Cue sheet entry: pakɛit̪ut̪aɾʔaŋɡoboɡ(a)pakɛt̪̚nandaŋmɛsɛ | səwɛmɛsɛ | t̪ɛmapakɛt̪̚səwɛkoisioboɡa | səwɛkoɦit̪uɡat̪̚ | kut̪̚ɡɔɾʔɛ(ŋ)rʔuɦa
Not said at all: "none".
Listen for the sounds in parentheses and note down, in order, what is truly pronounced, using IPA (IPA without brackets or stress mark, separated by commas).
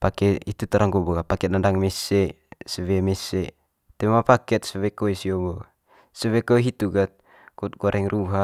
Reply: a, ŋ